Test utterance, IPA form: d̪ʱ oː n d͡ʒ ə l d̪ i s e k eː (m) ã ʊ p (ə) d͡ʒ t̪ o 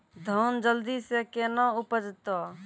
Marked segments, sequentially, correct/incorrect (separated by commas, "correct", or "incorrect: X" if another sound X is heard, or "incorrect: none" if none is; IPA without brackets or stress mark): incorrect: n, correct